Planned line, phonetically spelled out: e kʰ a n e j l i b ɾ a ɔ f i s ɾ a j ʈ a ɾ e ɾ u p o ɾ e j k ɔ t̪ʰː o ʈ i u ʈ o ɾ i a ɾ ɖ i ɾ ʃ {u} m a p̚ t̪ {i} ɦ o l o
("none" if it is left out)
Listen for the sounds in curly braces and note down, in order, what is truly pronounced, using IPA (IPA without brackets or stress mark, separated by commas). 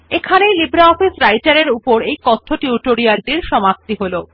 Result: ɔ, i